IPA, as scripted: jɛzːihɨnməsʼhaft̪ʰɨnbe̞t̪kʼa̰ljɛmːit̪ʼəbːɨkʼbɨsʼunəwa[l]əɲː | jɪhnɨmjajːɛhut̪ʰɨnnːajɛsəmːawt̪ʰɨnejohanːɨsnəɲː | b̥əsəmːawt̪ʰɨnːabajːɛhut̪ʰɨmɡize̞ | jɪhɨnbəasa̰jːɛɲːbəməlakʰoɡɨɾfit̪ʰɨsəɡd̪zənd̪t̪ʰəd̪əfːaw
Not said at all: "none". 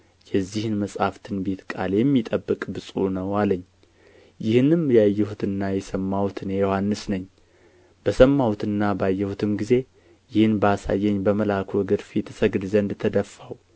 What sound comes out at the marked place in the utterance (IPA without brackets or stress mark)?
l